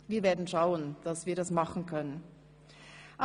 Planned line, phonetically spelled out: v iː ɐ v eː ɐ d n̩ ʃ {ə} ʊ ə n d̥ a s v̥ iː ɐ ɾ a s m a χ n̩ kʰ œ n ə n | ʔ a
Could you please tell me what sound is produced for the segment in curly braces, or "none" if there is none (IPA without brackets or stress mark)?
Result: a